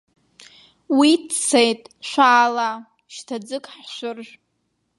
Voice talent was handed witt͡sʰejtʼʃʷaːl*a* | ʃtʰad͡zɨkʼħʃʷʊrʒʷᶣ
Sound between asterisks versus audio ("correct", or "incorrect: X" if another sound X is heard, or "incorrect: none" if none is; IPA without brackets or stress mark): correct